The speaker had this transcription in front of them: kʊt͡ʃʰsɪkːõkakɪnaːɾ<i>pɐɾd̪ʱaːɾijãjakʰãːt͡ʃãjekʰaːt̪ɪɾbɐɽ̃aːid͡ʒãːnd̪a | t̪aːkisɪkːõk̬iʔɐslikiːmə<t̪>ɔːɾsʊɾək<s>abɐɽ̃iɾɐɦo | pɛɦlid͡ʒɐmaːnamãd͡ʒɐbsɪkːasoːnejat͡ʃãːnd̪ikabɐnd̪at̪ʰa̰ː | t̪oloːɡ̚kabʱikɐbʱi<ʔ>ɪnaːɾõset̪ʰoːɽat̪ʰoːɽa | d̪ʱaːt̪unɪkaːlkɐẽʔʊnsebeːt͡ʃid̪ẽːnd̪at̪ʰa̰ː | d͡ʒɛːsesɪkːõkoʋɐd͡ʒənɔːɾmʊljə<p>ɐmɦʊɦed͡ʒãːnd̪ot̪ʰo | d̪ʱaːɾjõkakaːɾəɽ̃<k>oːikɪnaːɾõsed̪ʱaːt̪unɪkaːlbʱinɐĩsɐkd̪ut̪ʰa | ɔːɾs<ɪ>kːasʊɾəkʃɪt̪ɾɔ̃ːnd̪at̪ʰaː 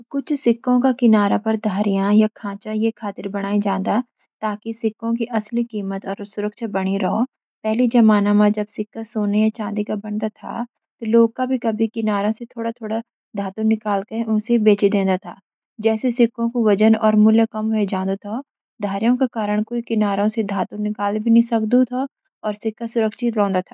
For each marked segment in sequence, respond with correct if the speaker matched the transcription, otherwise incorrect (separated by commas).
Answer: incorrect, correct, incorrect, incorrect, incorrect, correct, correct